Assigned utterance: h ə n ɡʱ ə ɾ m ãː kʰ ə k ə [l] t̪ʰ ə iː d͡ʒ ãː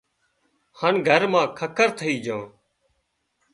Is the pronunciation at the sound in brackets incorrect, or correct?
incorrect